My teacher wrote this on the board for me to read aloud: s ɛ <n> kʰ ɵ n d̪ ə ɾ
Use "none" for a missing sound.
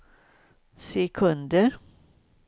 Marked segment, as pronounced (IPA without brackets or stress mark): none